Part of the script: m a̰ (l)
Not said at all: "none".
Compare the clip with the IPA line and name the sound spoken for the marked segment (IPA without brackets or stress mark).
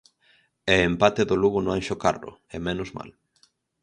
l